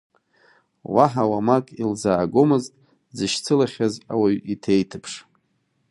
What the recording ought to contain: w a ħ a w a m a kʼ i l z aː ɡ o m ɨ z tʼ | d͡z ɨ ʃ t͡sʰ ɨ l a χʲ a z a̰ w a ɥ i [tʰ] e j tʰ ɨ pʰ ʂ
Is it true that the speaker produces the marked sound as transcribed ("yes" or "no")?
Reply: yes